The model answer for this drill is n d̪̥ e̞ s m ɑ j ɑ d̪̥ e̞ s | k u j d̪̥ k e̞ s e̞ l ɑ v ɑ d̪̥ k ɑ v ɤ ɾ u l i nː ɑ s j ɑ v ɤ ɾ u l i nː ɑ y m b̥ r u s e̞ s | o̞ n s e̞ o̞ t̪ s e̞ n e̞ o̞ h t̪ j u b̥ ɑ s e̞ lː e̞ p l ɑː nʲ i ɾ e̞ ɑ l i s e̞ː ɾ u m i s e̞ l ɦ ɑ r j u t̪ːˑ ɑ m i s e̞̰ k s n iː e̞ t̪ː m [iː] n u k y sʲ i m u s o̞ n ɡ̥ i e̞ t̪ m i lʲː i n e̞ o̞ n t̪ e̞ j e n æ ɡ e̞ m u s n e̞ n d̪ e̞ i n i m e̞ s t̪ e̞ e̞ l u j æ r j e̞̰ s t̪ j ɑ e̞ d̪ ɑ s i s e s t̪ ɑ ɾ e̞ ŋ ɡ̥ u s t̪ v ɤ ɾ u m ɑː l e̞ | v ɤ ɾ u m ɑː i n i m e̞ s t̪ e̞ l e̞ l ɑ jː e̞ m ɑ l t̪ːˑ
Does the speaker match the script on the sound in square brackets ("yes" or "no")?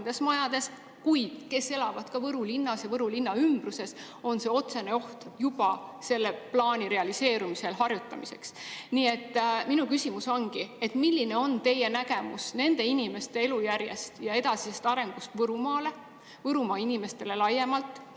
no